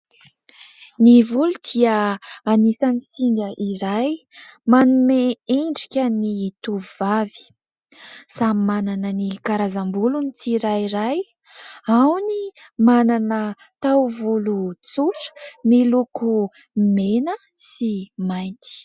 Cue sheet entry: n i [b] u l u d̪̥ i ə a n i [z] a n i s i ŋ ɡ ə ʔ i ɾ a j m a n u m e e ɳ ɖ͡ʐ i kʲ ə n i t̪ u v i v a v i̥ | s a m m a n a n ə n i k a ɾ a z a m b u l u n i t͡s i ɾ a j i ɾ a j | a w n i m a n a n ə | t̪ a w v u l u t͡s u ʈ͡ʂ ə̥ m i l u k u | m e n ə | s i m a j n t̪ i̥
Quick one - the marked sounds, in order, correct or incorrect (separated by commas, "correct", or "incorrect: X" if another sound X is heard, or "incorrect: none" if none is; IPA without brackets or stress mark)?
incorrect: v, incorrect: s